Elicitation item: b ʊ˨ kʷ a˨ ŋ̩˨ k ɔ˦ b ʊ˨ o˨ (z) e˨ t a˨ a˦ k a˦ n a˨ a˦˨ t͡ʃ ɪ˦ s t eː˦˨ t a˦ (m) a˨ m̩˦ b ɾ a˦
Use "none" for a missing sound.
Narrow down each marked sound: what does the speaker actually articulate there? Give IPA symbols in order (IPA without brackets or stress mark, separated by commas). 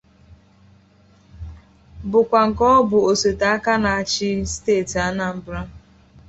s, n